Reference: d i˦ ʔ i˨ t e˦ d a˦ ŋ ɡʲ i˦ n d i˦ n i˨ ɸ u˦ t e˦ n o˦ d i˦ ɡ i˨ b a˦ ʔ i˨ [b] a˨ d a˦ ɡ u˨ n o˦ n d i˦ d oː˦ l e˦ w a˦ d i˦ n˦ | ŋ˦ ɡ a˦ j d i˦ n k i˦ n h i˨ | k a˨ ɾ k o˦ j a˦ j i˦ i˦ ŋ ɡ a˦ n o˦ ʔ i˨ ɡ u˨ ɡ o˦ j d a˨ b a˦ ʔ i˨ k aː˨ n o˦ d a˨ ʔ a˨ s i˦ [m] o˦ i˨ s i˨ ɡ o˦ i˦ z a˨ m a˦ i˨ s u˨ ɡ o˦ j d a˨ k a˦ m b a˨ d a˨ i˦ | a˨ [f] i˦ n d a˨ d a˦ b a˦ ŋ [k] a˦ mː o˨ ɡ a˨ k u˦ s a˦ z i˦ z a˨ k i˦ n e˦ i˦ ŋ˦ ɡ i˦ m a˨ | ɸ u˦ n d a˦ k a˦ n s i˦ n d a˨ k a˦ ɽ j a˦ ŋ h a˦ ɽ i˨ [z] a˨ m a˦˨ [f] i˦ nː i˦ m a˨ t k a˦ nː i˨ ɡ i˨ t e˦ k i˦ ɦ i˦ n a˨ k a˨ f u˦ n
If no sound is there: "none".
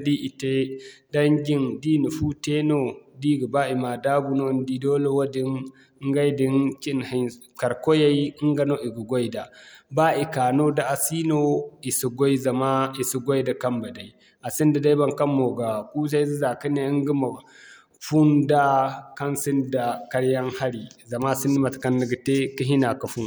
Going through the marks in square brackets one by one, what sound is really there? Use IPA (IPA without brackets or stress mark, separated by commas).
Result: m, n, s, k, z, s